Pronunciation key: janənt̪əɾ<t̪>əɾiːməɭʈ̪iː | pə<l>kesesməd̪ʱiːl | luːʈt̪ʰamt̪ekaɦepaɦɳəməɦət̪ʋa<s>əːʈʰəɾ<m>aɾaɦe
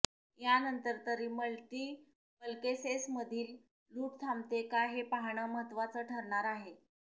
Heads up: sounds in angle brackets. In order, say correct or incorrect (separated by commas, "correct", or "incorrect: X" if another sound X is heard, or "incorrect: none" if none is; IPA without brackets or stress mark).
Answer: correct, correct, incorrect: t͡s, incorrect: ɳ